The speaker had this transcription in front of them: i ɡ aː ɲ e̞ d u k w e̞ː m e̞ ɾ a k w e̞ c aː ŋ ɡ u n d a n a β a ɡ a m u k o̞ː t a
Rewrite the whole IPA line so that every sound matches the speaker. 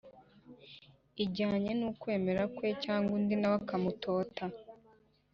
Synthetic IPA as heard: i ɟ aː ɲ e̞ n u k w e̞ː m e̞ ɾ a k w e̞ c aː ŋ ɡ u n d i n a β a k a m u t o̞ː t a

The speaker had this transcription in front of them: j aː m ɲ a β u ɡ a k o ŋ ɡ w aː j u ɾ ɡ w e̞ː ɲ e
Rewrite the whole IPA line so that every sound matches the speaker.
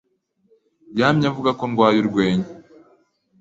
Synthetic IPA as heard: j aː m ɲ a v u ɡ a k o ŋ ɡ w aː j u ɾ ɡ w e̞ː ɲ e

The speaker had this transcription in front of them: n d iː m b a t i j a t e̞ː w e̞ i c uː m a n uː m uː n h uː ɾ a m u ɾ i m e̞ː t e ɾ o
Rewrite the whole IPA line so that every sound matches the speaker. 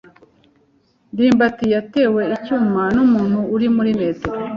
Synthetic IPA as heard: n d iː m b a t i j a t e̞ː w e̞ i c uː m a n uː m uː n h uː ɾ i m u ɾ i m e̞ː t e ɾ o

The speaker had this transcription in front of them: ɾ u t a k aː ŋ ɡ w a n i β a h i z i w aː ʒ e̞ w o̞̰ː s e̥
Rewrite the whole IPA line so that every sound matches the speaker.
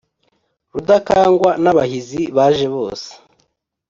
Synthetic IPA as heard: ɾ u d a k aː ŋ ɡ w a n a β a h i z i β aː ʒ e̞ β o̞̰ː s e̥

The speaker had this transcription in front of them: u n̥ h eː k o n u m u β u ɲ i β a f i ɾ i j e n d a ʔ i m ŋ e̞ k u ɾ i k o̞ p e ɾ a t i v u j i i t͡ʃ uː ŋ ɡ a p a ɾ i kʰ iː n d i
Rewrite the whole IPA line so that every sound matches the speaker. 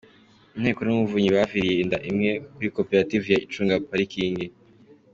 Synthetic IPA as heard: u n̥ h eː k o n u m u v u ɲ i β a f i ɾ i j e n d a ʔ i m ŋ e̞ k u ɾ i k o̞ p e ɾ a t i v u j a i t͡ʃ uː ŋ ɡ a p a ɾ i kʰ iː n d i

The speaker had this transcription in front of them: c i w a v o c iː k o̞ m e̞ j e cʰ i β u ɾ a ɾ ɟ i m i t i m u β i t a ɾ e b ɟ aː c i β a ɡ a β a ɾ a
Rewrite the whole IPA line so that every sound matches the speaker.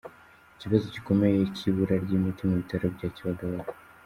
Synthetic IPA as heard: c i β a z o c i k o̞ m e̞ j e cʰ i β u ɾ a ɾ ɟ i m i t i m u β i t a ɾ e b ɟ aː c i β a ɡ a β a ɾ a

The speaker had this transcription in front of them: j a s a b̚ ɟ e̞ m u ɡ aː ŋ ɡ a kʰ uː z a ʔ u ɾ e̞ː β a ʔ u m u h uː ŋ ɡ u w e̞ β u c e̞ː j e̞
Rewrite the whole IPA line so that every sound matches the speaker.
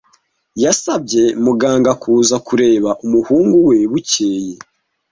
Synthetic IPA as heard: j a s a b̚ ɟ e̞ m u ɡ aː ŋ ɡ a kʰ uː z a k u ɾ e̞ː β a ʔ u m u h uː ŋ ɡ u w e̞ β u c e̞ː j e̞

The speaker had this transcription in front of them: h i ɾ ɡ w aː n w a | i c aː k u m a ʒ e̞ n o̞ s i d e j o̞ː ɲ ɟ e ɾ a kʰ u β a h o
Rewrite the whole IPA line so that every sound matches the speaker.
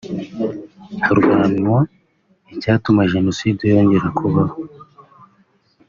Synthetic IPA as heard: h a ɾ ɡ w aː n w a | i c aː t u m a ʒ e̞ n o̞ s i d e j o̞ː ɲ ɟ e ɾ a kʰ u β a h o

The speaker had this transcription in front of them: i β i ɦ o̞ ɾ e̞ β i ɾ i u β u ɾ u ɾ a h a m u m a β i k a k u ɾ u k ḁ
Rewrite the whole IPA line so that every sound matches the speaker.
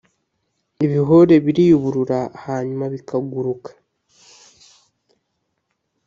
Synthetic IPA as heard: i β i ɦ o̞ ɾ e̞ β i ɾ i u β u ɾ u ɾ a h a ɲ u m a β i k a ɡ u ɾ u k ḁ

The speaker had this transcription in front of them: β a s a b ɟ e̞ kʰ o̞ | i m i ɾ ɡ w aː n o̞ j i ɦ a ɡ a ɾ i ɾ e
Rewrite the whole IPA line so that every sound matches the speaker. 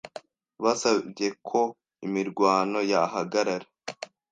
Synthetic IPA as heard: β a s a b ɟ e̞ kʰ o̞ | i m i ɾ ɡ w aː n o̞ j a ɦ a ɡ a ɾ a ɾ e

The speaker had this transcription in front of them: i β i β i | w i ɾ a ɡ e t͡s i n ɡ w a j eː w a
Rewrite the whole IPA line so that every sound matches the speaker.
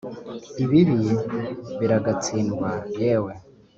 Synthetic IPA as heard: i β i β i | β i ɾ a ɡ a t͡s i n ɡ w a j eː w e

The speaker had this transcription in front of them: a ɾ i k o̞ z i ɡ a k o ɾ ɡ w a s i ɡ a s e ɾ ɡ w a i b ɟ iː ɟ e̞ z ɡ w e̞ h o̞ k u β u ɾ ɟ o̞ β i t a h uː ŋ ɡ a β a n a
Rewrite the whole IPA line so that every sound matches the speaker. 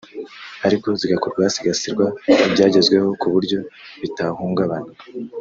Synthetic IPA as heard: a ɾ i k o̞ z i ɡ a k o ɾ ɡ w a s i ɡ a s i ɾ ɡ w a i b ɟ aː ɟ e̞ z ɡ w e̞ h o̞ k u β u ɾ ɟ o̞ β i t a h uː ŋ ɡ a β a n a

